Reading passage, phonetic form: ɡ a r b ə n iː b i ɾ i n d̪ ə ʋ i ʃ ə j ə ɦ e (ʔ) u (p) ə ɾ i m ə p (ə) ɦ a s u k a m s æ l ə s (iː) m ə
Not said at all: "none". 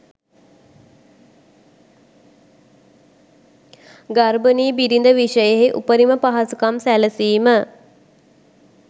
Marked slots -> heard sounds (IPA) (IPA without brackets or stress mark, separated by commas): ʔ, p, a, iː